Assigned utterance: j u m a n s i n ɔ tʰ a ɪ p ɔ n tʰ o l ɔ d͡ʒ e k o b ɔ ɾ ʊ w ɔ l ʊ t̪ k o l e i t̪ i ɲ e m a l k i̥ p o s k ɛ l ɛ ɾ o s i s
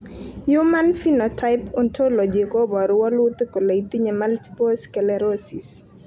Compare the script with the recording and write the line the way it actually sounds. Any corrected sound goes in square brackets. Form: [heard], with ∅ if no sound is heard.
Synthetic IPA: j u m a n [f] i n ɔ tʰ a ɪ p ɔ n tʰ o l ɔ d͡ʒ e k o b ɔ ɾ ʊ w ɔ l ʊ t̪ k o l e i t̪ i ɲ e m a l [t] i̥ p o s k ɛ l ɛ ɾ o s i s